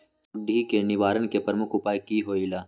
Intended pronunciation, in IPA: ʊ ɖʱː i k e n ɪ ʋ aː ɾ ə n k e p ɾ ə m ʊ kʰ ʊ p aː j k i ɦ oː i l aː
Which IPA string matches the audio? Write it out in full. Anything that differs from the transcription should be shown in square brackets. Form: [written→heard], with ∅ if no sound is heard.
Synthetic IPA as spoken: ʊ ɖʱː i k e n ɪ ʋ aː ɾ ə n k e p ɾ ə m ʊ kʰ ʊ p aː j k i ɦ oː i l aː